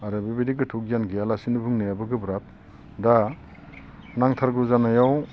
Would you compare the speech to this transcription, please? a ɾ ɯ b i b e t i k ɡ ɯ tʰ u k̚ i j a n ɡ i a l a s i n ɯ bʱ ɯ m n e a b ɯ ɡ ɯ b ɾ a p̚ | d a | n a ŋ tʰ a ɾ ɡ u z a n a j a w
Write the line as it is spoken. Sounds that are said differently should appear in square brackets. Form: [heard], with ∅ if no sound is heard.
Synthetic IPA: a ɾ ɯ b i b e [d] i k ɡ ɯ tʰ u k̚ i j a n ɡ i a l a s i n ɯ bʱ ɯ [ŋ] n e a b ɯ ɡ ɯ b ɾ a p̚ | d a | n a ŋ tʰ a ɾ ɡ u z a n a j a w